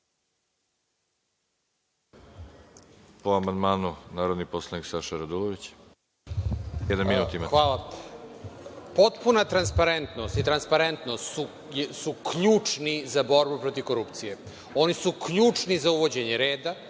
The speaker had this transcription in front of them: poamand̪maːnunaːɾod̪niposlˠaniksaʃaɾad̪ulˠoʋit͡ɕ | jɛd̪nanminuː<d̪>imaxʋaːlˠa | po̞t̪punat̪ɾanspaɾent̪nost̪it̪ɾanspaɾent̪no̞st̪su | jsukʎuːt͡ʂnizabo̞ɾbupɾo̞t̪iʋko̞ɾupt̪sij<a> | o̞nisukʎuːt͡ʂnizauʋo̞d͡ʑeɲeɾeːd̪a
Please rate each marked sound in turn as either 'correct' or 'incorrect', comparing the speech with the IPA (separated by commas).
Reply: incorrect, incorrect